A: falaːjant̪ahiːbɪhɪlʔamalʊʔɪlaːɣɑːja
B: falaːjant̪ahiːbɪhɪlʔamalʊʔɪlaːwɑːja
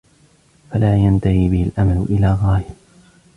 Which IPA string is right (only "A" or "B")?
A